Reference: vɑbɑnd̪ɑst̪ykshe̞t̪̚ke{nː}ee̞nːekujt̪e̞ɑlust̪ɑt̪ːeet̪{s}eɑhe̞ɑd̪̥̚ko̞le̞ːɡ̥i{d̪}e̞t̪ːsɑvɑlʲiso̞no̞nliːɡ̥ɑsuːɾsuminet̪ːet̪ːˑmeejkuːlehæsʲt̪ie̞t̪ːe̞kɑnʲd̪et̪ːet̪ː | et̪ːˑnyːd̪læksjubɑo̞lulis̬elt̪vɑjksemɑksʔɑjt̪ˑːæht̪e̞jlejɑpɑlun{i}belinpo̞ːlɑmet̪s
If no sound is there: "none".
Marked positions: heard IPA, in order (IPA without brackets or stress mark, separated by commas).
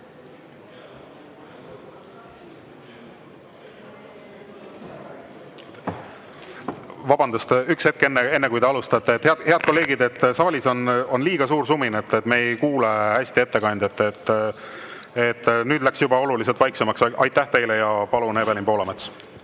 nː, h, d̪, e